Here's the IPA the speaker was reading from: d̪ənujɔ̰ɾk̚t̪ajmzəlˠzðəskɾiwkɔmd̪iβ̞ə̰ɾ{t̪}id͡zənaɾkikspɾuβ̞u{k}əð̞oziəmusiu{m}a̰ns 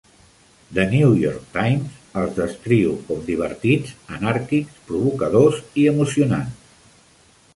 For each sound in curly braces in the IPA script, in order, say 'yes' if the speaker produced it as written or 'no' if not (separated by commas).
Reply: yes, yes, no